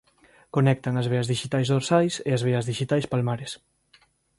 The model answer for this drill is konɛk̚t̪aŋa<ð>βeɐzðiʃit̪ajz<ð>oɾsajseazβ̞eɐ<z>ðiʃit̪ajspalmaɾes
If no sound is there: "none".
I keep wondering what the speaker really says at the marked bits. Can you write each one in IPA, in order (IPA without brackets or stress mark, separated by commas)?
z, ð, z